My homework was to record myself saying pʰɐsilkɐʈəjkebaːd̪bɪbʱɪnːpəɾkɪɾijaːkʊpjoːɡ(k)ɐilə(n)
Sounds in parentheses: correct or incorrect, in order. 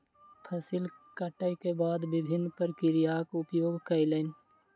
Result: correct, correct

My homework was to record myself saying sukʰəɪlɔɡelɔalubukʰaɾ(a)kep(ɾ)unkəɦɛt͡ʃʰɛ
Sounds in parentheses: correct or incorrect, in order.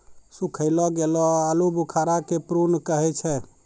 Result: correct, correct

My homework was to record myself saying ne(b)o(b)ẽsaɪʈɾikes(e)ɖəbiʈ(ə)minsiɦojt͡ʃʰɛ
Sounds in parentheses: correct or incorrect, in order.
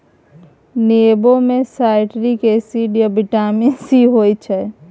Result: correct, incorrect: m, incorrect: i, incorrect: a

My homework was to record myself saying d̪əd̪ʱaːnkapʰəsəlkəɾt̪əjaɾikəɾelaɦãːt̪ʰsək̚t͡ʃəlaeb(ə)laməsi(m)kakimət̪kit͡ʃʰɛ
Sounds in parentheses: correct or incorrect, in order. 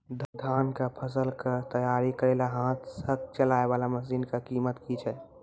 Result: incorrect: a, incorrect: n

